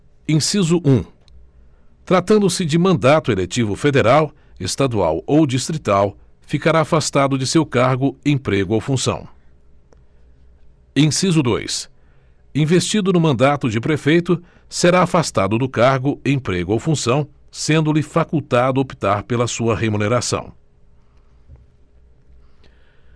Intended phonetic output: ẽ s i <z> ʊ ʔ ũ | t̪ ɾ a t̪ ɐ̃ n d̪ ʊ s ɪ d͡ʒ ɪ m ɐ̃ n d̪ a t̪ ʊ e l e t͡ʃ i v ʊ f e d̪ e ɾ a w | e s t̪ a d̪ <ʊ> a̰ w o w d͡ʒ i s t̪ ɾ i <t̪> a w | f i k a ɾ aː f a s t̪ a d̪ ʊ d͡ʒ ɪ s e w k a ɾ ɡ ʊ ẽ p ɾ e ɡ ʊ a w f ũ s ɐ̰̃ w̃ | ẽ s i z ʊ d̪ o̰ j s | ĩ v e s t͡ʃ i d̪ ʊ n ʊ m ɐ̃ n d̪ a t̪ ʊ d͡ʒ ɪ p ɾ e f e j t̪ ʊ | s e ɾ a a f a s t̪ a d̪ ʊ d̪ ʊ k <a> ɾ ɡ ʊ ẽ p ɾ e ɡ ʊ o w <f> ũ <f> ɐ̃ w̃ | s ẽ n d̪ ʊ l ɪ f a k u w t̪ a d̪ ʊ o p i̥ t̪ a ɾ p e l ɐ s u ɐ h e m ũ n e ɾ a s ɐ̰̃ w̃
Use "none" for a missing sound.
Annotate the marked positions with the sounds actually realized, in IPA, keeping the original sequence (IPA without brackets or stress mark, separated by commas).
z, u, t̪, a, f, s